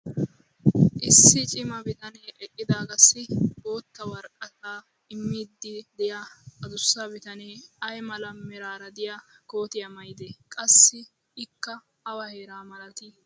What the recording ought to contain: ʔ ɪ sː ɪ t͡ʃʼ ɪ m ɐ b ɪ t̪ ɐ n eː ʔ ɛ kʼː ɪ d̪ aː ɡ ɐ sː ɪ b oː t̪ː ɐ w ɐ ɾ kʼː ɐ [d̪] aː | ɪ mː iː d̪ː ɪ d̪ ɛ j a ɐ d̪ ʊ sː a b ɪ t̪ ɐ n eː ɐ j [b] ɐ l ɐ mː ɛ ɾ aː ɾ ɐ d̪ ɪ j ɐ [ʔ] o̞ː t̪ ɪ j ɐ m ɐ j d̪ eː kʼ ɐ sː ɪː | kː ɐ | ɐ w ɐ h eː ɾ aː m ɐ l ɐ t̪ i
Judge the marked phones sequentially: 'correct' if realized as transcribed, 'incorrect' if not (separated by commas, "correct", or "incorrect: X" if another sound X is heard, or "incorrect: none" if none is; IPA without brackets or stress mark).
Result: incorrect: t̪, incorrect: m, incorrect: k